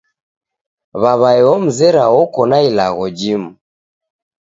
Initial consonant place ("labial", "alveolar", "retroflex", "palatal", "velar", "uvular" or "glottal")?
labial